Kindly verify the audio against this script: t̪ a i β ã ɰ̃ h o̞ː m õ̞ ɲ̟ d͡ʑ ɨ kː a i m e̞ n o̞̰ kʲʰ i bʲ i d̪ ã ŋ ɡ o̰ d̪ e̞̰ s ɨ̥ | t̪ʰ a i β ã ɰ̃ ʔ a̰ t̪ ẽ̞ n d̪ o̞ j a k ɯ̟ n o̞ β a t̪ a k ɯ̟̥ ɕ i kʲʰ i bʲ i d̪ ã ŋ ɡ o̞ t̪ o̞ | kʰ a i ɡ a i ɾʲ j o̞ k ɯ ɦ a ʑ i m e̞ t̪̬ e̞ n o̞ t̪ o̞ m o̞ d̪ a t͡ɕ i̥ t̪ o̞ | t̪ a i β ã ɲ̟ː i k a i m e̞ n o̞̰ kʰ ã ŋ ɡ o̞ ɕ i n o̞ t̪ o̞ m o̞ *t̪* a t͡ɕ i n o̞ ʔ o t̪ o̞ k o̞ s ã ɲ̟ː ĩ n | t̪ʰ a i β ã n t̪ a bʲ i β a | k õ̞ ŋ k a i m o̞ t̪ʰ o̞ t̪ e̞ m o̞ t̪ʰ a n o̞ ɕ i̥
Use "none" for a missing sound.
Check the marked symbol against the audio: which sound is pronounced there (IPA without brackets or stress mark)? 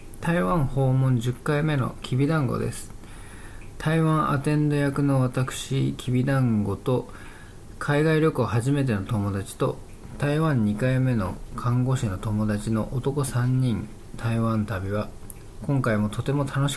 d̪